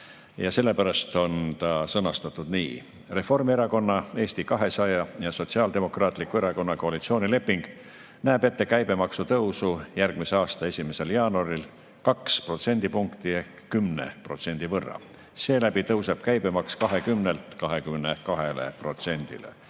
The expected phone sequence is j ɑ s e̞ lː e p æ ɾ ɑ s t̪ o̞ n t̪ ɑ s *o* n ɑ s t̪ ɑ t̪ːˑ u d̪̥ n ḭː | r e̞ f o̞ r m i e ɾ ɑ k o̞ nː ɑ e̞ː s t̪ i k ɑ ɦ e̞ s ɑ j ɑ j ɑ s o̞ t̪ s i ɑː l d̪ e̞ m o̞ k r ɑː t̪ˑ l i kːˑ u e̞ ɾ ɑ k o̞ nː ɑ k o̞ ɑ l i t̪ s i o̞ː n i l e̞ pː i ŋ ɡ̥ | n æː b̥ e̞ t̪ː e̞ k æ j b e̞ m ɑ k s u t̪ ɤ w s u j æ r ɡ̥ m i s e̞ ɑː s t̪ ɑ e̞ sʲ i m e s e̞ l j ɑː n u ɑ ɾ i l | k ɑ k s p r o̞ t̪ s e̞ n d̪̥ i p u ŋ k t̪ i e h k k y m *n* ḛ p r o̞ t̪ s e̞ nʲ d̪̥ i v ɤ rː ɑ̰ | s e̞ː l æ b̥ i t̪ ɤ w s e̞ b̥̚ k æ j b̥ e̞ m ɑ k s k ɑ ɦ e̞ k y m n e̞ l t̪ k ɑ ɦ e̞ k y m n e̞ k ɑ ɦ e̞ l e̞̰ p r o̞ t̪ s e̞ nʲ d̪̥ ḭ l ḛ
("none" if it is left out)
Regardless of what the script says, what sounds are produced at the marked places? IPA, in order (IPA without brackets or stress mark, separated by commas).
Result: ɤ, n